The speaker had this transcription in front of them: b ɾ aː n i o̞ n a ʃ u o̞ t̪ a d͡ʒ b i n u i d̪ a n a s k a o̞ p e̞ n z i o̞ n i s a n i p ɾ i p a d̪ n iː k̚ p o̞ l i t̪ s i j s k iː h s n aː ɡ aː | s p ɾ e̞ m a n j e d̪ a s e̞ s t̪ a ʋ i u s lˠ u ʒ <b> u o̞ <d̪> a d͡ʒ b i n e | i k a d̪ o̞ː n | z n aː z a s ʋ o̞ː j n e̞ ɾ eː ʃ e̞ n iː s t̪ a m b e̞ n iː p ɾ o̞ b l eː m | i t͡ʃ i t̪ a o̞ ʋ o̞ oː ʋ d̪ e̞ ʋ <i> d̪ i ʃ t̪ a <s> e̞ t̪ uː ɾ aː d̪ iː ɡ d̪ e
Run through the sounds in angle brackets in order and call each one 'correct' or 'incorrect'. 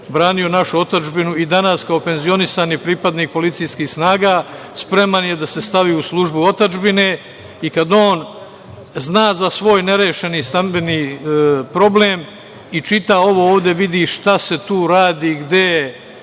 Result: correct, incorrect: t̪, correct, correct

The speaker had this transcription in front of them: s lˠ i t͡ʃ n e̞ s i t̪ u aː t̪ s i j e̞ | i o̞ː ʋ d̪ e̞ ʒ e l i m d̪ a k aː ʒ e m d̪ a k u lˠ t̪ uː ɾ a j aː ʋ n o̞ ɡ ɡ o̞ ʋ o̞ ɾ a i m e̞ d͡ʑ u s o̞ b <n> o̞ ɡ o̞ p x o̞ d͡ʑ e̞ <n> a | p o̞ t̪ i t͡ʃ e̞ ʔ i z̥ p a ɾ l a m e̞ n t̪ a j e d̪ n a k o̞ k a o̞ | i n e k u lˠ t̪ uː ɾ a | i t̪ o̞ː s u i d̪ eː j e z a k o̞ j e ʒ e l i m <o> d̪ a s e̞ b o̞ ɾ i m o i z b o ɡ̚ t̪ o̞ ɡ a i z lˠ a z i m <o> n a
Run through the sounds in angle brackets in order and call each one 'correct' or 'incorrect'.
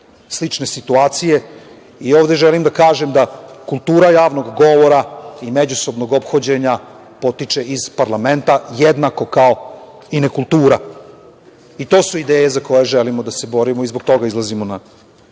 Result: correct, incorrect: ɲ, correct, correct

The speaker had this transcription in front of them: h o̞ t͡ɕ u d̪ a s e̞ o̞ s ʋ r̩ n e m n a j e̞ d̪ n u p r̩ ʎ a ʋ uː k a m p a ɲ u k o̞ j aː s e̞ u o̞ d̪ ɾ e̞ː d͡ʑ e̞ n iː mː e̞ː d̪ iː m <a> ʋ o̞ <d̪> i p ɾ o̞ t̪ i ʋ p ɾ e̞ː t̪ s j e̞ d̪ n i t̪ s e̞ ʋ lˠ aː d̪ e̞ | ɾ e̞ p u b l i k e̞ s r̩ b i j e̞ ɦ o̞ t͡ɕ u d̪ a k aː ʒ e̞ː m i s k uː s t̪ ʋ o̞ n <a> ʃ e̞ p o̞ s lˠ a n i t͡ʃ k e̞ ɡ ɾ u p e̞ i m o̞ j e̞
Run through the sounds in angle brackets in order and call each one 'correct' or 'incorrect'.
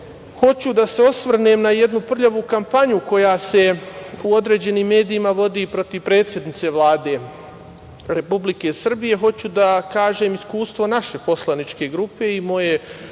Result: correct, correct, correct

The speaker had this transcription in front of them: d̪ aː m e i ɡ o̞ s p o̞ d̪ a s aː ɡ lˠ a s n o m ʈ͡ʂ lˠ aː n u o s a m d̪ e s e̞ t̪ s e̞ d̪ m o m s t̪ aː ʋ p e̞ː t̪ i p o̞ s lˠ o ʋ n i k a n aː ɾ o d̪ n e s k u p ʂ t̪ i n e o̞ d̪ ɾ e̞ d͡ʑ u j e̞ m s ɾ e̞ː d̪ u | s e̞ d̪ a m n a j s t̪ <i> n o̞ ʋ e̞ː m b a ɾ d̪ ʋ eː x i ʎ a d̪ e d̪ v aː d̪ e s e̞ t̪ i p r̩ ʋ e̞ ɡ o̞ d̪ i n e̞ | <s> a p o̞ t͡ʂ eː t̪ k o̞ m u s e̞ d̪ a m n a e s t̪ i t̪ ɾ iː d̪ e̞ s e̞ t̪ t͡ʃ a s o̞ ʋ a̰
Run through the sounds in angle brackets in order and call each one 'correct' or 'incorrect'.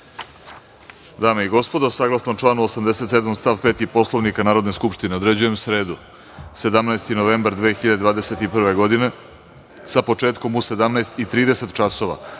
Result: correct, correct

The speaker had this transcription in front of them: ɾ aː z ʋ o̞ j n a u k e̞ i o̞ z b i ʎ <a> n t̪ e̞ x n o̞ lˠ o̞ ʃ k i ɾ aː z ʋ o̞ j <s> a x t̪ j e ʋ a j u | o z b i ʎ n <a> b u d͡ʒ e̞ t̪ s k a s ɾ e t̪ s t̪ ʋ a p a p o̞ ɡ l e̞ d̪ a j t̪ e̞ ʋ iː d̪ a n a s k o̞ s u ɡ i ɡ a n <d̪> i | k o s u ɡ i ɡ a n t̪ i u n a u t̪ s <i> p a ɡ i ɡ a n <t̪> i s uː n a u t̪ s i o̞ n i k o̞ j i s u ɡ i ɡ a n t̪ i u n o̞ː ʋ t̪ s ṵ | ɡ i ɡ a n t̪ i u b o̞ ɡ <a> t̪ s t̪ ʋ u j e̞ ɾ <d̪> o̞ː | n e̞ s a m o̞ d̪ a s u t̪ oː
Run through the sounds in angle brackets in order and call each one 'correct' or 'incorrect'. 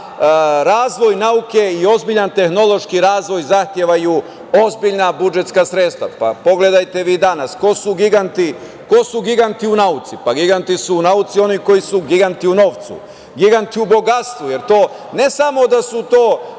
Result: correct, incorrect: z, correct, incorrect: t̪, correct, correct, correct, incorrect: t̪

